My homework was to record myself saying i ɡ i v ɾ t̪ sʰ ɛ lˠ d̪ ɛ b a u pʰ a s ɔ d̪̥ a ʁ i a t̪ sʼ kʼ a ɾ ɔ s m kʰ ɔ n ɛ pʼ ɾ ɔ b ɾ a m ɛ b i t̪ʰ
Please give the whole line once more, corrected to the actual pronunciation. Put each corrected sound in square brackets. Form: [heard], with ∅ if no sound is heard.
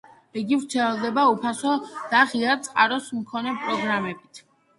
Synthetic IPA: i ɡ i v ɾ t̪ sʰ ɛ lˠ d̪ ɛ b a u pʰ a s ɔ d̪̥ a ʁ i a t̪ sʼ [qʼ] a ɾ ɔ s m kʰ ɔ n ɛ pʼ ɾ ɔ [ɡ] ɾ a m ɛ b i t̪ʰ